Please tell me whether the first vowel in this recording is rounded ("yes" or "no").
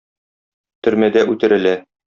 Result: yes